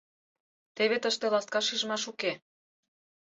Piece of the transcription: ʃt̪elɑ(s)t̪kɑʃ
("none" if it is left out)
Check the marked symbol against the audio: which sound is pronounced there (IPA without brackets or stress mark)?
s